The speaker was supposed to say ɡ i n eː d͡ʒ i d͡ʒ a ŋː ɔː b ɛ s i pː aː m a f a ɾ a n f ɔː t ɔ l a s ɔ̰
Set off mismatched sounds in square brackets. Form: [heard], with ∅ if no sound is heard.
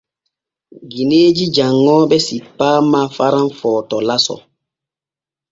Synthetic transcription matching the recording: ɡ i n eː d͡ʒ i d͡ʒ a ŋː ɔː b ɛ s i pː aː m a f a ɾ a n f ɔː t ɔ l a s ɔ̰